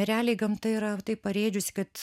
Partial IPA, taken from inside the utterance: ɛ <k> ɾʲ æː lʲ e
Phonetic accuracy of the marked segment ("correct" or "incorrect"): incorrect